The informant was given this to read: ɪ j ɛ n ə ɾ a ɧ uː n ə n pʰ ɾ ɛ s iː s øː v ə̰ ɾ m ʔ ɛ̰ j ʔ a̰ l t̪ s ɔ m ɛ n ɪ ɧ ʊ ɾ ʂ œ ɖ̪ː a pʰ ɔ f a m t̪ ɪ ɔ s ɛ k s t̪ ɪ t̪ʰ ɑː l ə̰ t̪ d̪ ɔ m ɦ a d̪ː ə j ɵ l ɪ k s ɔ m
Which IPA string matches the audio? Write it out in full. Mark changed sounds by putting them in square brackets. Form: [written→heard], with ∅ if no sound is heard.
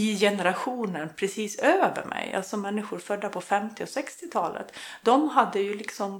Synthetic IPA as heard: ɪ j ɛ n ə ɾ a ɧ uː n ə n pʰ ɾ ɛ s iː s øː v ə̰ ɾ m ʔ ɛ̰ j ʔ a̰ l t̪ s ɔ m ɛ [n→nː] ɪ ɧ ʊ ɾ [ʂ→f] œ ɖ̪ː a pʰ ɔ f [a→ɛ] m t̪ ɪ ɔ s ɛ k s t̪ ɪ t̪ʰ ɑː l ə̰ t̪ d̪ ɔ m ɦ a d̪ː ə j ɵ l ɪ k s ɔ m